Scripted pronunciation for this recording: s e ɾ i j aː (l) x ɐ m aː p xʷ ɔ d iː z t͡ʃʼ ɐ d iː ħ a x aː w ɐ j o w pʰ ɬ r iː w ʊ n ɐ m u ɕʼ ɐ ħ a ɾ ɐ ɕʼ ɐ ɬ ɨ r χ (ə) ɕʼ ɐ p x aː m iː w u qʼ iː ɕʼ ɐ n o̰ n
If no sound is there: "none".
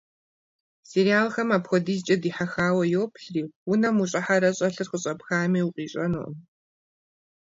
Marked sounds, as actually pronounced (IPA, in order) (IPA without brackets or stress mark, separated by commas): l, ə